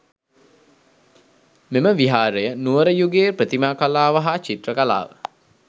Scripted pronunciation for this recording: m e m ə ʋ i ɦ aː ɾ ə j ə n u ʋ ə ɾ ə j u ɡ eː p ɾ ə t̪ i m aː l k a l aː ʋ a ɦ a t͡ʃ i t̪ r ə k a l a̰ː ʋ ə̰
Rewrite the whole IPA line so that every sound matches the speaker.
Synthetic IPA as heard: m e m ə ʋ i ɦ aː ɾ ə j ə n u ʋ ə ɾ ə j u ɡ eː p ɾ ə t̪ i m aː k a l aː ʋ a ɦ a t͡ʃ i t̪ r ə k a l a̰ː ʋ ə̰